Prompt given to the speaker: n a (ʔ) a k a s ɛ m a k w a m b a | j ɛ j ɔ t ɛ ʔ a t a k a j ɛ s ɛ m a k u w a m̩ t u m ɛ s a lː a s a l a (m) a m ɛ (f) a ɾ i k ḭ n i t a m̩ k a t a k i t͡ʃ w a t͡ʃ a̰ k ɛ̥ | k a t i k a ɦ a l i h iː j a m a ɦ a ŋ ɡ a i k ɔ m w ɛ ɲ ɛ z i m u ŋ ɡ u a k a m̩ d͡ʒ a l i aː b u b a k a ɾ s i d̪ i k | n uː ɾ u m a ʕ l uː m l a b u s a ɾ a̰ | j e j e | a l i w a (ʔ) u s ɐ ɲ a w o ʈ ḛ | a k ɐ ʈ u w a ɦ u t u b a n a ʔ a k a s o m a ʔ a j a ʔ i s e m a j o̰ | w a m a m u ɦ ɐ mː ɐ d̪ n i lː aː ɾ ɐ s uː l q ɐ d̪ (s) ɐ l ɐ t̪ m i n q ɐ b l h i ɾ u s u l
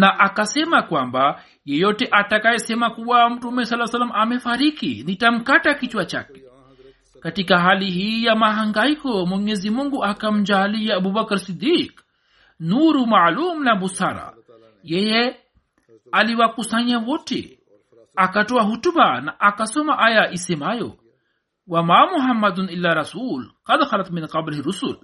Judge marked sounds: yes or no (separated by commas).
yes, yes, yes, no, no